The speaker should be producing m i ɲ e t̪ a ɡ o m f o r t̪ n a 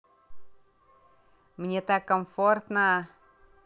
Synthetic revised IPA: m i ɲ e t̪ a k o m f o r t̪ n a